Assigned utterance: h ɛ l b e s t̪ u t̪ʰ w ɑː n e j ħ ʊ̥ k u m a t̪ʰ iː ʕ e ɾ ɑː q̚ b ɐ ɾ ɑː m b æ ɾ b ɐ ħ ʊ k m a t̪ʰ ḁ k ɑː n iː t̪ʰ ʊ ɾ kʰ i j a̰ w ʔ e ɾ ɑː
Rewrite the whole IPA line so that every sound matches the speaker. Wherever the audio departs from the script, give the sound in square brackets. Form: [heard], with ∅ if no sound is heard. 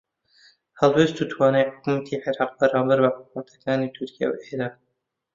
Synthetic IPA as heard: h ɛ l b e s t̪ u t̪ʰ w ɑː n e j ħ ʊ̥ k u m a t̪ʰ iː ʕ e ɾ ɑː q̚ b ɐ ɾ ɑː m b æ ɾ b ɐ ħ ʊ k m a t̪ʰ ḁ k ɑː n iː t̪ʰ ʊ ɾ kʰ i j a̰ w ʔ e ɾ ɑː